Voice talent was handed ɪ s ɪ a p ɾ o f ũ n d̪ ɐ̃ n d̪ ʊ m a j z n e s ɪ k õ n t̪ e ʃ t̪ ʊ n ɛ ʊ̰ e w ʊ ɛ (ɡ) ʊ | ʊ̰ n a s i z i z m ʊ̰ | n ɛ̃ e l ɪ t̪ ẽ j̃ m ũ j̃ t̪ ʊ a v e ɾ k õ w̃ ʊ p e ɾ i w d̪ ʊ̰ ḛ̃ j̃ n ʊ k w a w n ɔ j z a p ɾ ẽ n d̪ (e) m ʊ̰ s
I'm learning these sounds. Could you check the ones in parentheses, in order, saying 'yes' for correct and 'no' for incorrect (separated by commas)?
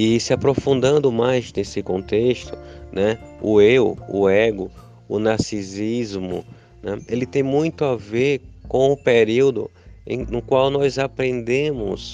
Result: yes, no